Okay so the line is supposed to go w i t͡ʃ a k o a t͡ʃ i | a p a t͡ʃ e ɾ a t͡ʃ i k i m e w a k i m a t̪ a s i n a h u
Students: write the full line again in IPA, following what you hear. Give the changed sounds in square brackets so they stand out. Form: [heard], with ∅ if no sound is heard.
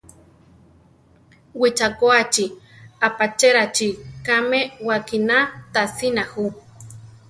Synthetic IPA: w i t͡ʃ a k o a t͡ʃ i | a p a t͡ʃ e ɾ a t͡ʃ i k [a] m e w a k i [n] a t̪ a s i n a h u

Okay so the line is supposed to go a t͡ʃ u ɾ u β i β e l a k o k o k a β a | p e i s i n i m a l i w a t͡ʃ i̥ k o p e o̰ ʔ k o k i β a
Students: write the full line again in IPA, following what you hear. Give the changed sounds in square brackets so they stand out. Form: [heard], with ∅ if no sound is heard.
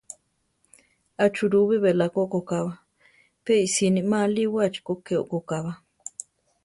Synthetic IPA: a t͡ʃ u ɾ u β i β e l a k o k o k a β a | p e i s i n i m a l i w a t͡ʃ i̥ k o [k] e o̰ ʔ k o k [a] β a

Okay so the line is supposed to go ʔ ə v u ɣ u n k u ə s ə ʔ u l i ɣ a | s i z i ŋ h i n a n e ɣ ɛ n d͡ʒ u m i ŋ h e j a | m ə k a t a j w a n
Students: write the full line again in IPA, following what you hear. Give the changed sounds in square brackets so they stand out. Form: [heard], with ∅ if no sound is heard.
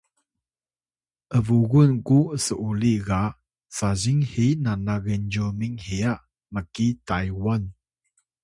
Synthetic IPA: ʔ ə v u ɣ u n k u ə s ə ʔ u l i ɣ a | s [a] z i ŋ h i n a n [a] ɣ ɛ n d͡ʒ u m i ŋ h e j a | m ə k [i] t a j w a n

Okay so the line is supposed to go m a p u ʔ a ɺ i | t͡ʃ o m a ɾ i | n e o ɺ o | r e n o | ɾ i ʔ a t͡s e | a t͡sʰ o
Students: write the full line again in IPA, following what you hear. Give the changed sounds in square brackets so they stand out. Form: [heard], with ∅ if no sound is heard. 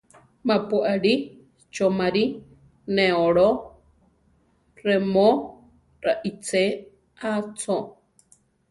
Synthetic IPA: m a p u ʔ a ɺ i | t͡ʃ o m a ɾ i | n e o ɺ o | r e [m] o | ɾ [a] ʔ [i] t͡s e | a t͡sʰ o

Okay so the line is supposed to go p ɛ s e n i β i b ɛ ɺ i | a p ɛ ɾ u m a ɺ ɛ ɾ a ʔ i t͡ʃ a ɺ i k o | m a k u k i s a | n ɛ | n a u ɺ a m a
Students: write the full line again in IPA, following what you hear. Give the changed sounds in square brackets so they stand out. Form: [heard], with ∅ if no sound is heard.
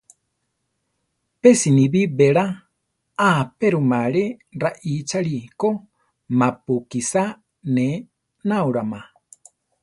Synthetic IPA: p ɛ s [i] n i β i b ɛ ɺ [a] | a p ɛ ɾ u m a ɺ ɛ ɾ a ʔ i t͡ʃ a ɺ i k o | m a [p] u k i s a | n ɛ | n a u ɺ a m a

